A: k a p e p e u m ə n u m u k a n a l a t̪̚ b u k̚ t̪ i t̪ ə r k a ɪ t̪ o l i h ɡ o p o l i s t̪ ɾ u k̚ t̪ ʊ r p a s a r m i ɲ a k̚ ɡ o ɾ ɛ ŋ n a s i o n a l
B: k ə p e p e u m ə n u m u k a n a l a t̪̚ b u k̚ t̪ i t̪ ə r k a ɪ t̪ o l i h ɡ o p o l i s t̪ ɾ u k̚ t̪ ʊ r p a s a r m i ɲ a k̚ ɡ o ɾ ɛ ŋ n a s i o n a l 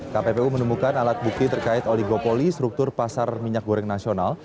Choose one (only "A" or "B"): A